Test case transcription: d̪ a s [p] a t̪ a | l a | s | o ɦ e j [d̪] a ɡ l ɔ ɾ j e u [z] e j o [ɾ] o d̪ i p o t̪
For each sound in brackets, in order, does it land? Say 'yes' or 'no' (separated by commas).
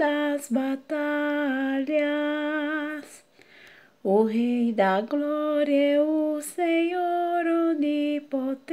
no, yes, no, yes